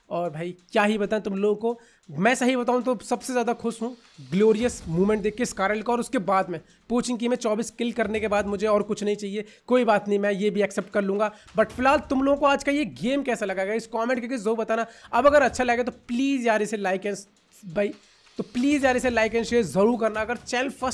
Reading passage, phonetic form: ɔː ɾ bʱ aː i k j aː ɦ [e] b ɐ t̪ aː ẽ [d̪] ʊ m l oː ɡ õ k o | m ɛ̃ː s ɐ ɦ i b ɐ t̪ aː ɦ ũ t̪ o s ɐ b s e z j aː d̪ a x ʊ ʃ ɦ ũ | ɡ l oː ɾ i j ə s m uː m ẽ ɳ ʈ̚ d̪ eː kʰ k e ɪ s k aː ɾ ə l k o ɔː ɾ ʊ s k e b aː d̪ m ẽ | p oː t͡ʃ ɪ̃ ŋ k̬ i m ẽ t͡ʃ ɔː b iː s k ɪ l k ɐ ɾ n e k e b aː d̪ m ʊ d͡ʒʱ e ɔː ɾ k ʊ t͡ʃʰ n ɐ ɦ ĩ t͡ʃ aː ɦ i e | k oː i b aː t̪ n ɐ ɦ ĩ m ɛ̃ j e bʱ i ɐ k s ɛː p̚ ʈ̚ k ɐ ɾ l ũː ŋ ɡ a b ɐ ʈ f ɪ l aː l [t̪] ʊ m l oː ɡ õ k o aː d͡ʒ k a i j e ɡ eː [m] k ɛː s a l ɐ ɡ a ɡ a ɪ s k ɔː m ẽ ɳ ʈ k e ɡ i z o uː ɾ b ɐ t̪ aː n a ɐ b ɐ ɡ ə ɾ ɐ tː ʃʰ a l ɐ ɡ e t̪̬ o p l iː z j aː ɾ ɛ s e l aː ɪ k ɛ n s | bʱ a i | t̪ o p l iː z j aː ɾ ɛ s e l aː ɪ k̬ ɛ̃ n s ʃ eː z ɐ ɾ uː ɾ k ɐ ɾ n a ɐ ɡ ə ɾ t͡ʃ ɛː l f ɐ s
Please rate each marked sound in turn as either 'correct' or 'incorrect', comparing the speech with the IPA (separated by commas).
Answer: incorrect, incorrect, correct, correct